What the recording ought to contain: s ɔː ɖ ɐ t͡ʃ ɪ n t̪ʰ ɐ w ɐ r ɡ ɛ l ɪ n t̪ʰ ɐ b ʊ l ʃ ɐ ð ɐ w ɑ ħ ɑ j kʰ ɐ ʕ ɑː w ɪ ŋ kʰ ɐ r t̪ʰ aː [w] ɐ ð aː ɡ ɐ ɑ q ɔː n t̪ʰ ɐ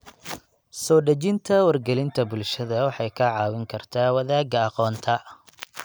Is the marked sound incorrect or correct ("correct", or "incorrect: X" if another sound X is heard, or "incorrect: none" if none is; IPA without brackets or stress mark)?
correct